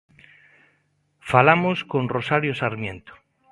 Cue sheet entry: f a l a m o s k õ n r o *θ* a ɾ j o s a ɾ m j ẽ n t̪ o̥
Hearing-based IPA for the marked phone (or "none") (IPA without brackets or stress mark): s